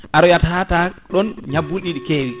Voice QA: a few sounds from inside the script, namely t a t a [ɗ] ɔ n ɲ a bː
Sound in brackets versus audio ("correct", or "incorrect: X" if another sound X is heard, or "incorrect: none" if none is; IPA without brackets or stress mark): correct